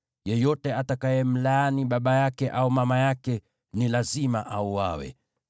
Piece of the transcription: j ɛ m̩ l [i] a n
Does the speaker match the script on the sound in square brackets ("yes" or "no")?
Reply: no